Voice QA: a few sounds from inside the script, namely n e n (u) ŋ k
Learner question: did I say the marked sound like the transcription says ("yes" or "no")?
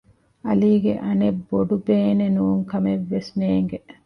no